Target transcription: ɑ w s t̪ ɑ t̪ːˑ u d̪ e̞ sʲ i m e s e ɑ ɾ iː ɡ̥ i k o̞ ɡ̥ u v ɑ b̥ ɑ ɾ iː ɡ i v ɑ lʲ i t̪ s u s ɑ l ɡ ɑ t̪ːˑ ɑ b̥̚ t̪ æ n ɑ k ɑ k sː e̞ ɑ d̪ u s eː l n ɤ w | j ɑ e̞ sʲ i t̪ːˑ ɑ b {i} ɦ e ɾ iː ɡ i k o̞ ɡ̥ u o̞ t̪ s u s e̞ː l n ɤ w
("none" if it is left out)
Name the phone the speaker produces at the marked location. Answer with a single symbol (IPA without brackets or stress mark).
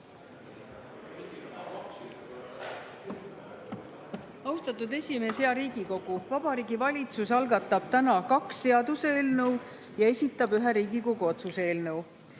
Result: y